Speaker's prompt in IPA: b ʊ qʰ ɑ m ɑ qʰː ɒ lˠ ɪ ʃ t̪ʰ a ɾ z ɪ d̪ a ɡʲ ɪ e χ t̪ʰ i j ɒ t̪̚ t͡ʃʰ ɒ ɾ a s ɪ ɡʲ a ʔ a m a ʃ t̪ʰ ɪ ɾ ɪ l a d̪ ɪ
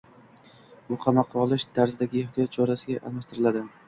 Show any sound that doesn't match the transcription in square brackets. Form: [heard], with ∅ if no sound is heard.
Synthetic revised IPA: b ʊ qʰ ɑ m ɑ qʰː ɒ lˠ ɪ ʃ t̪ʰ a ɾ z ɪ d̪ a ɡʲ ɪ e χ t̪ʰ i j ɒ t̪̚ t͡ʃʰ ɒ ɾ a s ɪ ɡʲ a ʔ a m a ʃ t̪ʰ ɪ ɾ ɪ l a d̪ ɪ